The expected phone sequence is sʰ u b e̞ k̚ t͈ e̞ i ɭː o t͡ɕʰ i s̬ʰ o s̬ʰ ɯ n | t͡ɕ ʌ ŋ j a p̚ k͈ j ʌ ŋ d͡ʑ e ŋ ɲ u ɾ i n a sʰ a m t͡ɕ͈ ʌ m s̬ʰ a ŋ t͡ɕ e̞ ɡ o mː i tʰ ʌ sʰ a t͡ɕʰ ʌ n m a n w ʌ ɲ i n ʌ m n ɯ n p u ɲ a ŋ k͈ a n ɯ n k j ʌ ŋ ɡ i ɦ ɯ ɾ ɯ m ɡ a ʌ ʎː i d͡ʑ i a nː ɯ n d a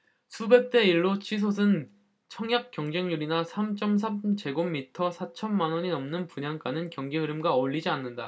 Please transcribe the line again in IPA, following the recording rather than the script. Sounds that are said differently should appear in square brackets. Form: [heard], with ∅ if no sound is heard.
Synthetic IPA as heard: sʰ u b e̞ k̚ t͈ e̞ i ɭː o t͡ɕʰ i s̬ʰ o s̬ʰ ɯ n | [t͡ɕʰ] ʌ ŋ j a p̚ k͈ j ʌ ŋ d͡ʑ e ŋ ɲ u ɾ i n a sʰ a m t͡ɕ͈ ʌ m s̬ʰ a [m] t͡ɕ e̞ ɡ o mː i tʰ ʌ sʰ a t͡ɕʰ ʌ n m a n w ʌ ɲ i n ʌ m n ɯ n p u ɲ a ŋ k͈ a n ɯ n k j ʌ ŋ ɡ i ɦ ɯ ɾ ɯ m ɡ a ʌ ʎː i d͡ʑ i a nː ɯ n d a